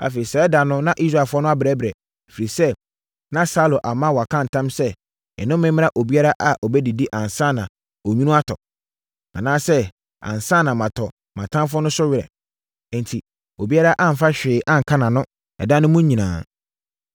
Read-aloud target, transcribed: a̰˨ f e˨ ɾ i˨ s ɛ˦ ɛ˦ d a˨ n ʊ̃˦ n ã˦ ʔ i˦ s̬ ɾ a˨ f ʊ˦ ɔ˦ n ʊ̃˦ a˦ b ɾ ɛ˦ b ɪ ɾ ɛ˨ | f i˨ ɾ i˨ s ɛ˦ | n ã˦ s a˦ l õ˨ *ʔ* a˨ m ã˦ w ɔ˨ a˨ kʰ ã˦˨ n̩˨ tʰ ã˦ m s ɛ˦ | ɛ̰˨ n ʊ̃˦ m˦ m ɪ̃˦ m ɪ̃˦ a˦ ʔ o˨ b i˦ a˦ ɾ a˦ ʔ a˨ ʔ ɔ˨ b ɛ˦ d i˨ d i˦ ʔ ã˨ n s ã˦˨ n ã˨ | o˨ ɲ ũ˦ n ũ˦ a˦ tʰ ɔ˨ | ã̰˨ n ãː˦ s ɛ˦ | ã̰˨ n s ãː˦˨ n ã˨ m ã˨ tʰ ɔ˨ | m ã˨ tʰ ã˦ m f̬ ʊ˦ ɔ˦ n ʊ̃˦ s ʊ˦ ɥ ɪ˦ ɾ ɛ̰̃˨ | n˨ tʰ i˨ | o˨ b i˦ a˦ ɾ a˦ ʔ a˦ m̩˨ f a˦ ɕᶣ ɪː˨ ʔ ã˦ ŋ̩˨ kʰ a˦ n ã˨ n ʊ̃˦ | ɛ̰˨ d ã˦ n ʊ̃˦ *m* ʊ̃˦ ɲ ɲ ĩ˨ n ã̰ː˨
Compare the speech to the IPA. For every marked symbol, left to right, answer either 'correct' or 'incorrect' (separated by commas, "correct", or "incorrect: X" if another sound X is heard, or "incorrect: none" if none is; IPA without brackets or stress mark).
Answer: correct, correct